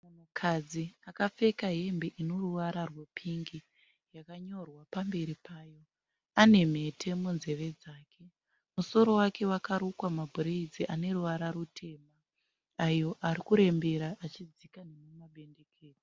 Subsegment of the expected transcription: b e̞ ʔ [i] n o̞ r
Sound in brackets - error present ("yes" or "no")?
no